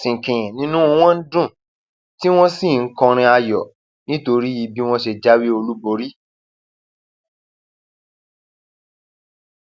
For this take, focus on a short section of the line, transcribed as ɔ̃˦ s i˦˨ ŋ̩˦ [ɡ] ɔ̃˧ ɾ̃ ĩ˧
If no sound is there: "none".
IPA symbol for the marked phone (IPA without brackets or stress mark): k